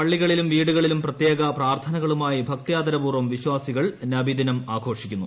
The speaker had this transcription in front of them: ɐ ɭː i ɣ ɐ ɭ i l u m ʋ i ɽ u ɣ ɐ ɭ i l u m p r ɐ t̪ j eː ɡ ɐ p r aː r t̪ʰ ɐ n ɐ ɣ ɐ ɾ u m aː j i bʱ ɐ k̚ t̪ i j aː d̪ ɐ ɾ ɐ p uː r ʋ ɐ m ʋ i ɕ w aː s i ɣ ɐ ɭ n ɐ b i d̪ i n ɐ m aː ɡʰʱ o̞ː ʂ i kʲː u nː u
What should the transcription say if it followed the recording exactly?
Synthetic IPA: ɐ ɭː i ɣ ɐ ɭ i l u m ʋ iː ɽ u ɣ ɐ ɭ i l u m p r ɐ t̪ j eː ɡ ɐ p r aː r t̪ʰ ɐ n ɐ ɣ ɐ ɭ u m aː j i bʱ ɐ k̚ t̪ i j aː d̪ ɐ ɾ ɐ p uː r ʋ ɐ m ʋ i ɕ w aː s i ɣ ɐ ɭ n ɐ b i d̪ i n ɐ m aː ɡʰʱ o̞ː ʂ i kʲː u nː u